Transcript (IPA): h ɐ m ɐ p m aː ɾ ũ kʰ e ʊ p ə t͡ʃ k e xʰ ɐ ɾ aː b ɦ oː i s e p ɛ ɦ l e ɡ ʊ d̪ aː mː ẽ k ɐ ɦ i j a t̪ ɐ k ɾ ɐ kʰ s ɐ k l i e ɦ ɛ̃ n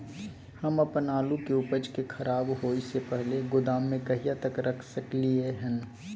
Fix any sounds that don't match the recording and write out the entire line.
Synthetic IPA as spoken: h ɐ m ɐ p n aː l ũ k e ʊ p ə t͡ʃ k e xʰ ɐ ɾ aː b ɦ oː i s e p ɛ ɦ l e ɡ ʊ d̪ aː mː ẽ k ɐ ɦ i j a t̪ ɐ k ɾ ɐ kʰ s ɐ k l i e ɦ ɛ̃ n

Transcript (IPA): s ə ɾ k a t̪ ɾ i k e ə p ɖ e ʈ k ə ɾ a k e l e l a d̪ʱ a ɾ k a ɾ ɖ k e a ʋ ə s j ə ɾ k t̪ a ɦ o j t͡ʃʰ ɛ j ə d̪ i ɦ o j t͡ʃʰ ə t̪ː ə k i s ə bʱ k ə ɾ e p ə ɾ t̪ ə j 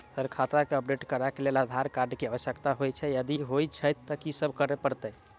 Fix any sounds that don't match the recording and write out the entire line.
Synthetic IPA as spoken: s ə ɾ kʰ a t̪ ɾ a k e ə p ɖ e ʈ k ə ɾ a k e l e l a d̪ʱ a ɾ k a ɾ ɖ k e a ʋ ə s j ə k t̪ a ɦ o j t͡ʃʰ ɛ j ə d̪ i ɦ o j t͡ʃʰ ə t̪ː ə k i s ə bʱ k ə ɾ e p ə ɾ t̪ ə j

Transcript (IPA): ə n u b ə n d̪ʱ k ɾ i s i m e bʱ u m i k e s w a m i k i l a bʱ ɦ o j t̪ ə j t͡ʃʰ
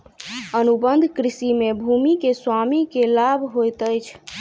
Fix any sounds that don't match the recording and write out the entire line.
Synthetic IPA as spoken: ə n u b ə n d̪ʱ k ɾ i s i m e bʱ u m i k e s w a m i k e l a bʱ ɦ o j t̪ ə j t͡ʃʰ

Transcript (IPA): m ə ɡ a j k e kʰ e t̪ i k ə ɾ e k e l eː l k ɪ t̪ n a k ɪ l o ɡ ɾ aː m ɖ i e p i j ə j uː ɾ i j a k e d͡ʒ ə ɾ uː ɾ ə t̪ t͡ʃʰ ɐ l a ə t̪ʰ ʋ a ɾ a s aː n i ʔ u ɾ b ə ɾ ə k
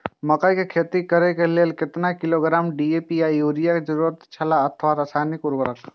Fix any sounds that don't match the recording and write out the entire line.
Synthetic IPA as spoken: m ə k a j k e kʰ e t̪ i k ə ɾ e k e l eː l k ɪ t̪ n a k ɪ l o ɡ ɾ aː m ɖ i e p i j a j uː ɾ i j a k e d͡ʒ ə ɾ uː ɾ ə t̪ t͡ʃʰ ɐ l a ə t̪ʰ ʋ a ɾ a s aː n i k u ɾ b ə ɾ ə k

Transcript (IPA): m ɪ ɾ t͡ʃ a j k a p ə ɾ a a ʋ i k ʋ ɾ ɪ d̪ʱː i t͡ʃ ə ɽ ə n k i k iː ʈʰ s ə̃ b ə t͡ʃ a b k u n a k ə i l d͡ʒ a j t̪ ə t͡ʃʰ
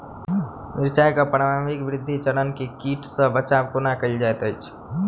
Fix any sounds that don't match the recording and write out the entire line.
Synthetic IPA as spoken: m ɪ ɾ t͡ʃ a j k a p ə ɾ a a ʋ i k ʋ ɾ ɪ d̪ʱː i t͡ʃ ə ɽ ə n k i k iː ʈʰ s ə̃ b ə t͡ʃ a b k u n a k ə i l d͡ʒ a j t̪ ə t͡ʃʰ

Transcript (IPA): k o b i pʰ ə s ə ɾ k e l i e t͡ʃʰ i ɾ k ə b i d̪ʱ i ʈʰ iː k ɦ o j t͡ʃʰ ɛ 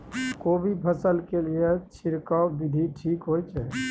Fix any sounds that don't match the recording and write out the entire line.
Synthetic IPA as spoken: k o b i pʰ ə s ə l k e l i e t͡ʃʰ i ɾ k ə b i d̪ʱ i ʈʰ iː k ɦ o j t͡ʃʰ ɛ

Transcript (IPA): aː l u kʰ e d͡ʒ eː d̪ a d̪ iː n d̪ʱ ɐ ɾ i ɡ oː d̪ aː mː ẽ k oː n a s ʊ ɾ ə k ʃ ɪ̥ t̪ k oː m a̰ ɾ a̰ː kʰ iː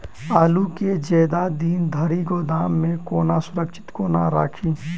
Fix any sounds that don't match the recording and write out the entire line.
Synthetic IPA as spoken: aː l u k e d͡ʒ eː d̪ a d̪ iː n d̪ʱ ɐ ɾ i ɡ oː d̪ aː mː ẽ k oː n a s ʊ ɾ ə k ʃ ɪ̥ t̪ k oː n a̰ ɾ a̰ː kʰ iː

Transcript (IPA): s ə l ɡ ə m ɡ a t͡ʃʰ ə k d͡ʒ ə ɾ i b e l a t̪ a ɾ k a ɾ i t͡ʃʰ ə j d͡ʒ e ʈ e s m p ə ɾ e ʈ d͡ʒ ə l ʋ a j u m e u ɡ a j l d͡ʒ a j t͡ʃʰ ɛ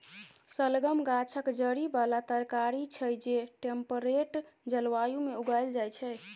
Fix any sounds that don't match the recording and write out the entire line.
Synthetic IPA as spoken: s ə l ɡ ə m ɡ a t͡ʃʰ ə k d͡ʒ ə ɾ i b a l a t̪ ə ɾ k a ɾ i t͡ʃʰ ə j d͡ʒ e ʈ e m p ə ɾ e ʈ d͡ʒ ə l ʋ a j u m e u ɡ a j l d͡ʒ a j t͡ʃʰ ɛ

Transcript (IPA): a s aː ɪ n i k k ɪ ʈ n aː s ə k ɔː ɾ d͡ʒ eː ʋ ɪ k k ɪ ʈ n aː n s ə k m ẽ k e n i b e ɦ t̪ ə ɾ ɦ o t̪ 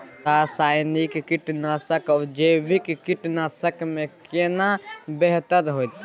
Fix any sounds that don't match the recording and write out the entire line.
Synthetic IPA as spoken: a s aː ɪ n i k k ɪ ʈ n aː s ə k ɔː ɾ d͡ʒ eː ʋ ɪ k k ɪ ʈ n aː s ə k m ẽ k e n a b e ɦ t̪ ə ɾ ɦ o t̪

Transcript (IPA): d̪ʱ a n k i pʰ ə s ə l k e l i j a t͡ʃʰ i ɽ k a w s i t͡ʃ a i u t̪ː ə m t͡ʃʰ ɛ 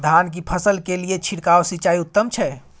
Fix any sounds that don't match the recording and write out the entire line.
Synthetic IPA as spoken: d̪ʱ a n k i pʰ ə s ə l k e l i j e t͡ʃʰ i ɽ k a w s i t͡ʃ a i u t̪ː ə m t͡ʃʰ ɛ

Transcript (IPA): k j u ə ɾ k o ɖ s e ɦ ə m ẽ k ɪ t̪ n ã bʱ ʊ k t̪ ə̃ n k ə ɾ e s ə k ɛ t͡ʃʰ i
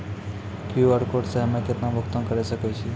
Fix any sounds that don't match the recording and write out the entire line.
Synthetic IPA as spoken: k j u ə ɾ k o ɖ s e ɦ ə m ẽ k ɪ t̪ n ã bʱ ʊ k t̪ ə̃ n k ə ɾ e s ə k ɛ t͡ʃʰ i

